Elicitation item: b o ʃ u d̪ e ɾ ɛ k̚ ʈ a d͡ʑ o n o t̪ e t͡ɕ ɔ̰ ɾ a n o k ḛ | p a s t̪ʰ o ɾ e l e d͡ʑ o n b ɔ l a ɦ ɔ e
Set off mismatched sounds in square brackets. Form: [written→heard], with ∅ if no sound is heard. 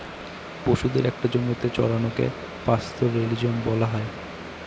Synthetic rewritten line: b o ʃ u d̪ e ɾ ɛ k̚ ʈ a d͡ʑ o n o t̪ e t͡ɕ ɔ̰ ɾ a n o k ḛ | p a s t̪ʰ o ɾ e l [e→i] d͡ʑ o n b ɔ l a ɦ ɔ e